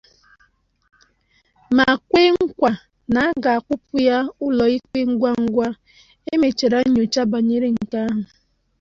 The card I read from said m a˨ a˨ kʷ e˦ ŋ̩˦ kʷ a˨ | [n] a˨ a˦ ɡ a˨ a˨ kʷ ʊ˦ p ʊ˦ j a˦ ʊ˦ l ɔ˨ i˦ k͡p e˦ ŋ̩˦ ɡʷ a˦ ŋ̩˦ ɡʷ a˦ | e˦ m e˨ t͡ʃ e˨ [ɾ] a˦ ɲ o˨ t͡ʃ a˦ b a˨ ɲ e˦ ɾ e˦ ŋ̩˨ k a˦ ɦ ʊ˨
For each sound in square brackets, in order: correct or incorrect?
correct, correct

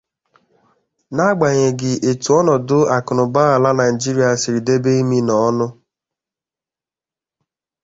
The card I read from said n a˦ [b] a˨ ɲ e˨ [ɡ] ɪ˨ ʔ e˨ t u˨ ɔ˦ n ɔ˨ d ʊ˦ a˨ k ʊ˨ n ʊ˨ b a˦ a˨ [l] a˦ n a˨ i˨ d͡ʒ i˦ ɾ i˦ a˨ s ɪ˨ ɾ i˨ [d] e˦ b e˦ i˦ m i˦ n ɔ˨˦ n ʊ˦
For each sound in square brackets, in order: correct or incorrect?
incorrect: ɡ͡b, correct, correct, correct

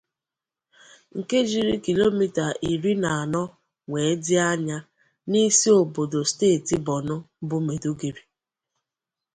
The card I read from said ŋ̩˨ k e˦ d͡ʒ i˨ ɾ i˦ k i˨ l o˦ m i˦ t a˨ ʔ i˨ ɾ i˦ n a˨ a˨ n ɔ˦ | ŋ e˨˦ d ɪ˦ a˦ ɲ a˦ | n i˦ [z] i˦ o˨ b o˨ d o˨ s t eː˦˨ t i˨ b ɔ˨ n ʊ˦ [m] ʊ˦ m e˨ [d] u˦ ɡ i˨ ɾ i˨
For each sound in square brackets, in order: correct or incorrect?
incorrect: s, incorrect: b, correct

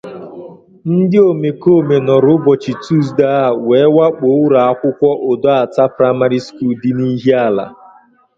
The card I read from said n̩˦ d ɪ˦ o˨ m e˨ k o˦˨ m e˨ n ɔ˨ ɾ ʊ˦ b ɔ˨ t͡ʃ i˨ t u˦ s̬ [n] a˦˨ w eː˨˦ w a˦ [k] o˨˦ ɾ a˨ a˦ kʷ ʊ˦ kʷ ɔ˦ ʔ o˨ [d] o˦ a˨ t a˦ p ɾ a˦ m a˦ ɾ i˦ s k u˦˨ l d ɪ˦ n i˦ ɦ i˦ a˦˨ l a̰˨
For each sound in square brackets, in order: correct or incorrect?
incorrect: d, incorrect: k͡p, correct

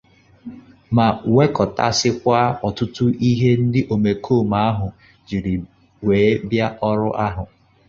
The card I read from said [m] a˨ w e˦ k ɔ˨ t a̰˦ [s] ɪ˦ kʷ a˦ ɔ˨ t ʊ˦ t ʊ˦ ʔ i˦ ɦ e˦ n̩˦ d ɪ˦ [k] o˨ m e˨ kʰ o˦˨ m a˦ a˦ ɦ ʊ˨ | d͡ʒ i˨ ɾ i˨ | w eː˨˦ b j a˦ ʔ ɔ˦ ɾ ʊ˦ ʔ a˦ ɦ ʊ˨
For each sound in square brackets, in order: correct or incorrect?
correct, correct, incorrect: ʔ

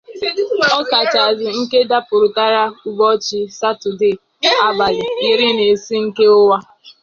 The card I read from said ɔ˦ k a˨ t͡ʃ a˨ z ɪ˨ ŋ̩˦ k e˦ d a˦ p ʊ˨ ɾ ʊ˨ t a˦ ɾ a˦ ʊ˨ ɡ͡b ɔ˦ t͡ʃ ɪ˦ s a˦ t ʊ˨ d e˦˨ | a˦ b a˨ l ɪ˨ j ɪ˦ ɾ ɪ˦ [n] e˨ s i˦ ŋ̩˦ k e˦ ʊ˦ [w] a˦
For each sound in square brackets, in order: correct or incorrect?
correct, correct

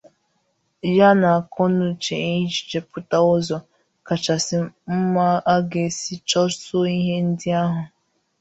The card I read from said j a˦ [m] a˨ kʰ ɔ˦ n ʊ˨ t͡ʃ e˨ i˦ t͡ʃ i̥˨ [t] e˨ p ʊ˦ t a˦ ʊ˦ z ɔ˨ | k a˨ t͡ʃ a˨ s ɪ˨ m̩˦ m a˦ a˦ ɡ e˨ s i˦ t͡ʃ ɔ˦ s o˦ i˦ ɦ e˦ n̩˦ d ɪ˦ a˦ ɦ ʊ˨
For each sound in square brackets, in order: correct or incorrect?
incorrect: n, incorrect: t͡ʃ

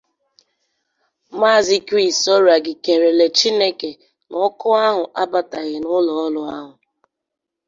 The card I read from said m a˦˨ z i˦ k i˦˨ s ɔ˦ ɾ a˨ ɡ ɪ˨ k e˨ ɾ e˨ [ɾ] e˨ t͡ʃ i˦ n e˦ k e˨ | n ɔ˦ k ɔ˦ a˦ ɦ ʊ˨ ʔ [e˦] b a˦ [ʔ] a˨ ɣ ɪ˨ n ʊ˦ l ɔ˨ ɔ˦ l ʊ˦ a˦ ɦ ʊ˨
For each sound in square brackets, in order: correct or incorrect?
incorrect: l, incorrect: a˦, incorrect: t

